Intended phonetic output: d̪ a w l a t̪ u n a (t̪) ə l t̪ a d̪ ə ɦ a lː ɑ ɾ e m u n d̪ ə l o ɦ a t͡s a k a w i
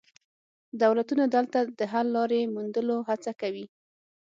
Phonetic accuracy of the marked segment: incorrect: d̪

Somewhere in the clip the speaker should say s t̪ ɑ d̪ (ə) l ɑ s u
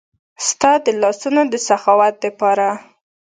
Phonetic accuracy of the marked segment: correct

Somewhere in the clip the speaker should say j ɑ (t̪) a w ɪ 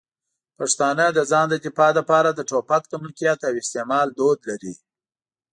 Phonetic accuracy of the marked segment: correct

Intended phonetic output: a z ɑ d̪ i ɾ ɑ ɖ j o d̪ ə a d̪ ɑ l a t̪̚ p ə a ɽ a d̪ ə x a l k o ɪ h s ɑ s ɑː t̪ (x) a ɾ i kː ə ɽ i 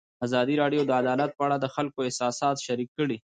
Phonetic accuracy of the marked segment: incorrect: ʃ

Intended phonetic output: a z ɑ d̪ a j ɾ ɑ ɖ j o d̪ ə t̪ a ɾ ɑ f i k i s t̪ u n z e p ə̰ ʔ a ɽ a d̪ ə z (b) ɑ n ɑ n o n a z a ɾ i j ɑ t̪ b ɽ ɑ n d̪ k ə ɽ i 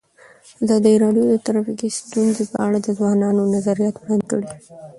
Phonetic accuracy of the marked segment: incorrect: w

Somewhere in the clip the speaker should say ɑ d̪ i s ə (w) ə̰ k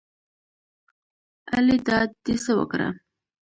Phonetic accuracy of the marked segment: correct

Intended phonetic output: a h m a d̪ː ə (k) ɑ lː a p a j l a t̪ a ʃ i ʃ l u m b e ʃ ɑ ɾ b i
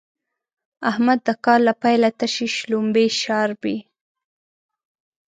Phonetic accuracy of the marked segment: correct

